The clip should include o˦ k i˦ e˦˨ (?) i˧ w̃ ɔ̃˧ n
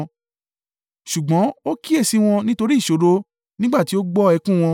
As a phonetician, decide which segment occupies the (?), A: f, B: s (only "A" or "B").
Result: B